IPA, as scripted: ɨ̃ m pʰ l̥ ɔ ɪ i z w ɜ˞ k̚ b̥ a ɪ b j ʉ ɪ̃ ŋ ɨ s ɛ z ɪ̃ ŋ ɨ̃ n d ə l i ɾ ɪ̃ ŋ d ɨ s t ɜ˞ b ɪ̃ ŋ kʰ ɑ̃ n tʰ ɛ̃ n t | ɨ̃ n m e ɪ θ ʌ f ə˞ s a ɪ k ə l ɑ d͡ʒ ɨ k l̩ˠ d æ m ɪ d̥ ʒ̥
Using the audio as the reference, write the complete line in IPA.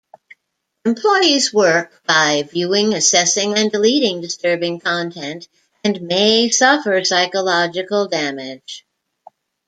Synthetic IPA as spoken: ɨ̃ m pʰ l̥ ɔ ɪ i z w ɜ˞ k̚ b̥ a ɪ v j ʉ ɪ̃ ŋ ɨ s ɛ s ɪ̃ ŋ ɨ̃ n d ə l i ɾ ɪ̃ ŋ d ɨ s t ɜ˞ b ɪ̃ ŋ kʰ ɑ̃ n tʰ ɛ̃ n t | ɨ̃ n m e ɪ s ʌ f ə˞ s a ɪ k ə l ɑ d͡ʒ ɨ k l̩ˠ d æ m ɪ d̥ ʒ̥